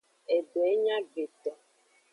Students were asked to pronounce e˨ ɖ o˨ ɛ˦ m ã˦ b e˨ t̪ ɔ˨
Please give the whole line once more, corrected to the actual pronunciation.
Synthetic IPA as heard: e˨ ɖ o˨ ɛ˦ ɲ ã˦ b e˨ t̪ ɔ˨